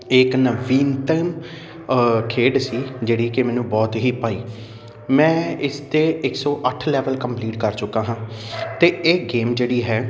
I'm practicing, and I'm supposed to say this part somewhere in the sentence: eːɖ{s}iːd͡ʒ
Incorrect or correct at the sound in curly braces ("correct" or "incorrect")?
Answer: correct